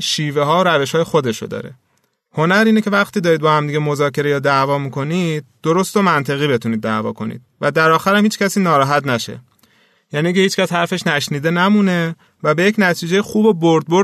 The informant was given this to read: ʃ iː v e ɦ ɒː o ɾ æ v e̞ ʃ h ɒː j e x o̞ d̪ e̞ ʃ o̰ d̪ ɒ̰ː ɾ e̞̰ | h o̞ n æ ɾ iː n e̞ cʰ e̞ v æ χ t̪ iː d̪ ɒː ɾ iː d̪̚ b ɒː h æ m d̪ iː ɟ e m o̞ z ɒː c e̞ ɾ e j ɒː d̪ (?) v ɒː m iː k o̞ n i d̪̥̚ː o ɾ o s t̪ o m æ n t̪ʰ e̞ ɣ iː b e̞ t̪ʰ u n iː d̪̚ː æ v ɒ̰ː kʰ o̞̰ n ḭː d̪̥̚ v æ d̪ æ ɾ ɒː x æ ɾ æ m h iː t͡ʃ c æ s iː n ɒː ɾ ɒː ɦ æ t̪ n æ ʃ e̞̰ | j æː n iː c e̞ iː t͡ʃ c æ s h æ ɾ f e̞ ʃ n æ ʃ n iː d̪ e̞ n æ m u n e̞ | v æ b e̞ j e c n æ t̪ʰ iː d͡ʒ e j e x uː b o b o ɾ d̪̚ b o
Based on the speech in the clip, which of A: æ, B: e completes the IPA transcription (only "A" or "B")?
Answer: A